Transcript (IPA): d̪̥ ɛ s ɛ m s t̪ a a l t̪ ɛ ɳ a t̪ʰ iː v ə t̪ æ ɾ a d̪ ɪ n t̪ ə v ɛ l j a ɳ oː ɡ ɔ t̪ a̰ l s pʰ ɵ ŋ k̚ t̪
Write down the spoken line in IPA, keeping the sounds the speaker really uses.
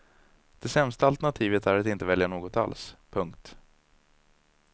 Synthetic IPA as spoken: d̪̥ ɛ s ɛ m s t̪ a a l t̪ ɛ ɳ a t̪ʰ iː v ə t̪ æ ɾ a t̪ ɪ n t̪ ə v ɛ l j a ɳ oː ɡ ɔ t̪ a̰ l s pʰ ɵ ŋ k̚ t̪